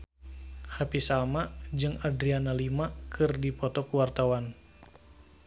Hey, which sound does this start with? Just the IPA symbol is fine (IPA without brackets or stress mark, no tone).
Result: h